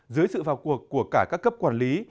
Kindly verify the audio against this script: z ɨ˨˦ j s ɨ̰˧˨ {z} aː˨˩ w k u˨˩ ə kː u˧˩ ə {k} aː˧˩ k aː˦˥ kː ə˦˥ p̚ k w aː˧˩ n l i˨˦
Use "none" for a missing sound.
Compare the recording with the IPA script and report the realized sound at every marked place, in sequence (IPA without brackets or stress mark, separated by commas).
v, k